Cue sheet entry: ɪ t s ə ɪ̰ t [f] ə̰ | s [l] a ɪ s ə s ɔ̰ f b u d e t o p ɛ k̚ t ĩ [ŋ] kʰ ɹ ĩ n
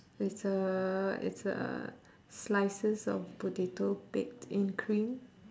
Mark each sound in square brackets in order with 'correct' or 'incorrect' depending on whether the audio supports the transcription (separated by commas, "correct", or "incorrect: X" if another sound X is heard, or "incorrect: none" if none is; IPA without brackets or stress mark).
incorrect: s, correct, incorrect: n